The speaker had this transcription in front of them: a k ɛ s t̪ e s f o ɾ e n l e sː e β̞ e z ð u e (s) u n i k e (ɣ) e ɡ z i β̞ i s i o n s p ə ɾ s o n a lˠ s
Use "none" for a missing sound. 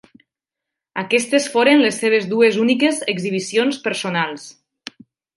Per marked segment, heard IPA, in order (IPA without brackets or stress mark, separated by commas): z, z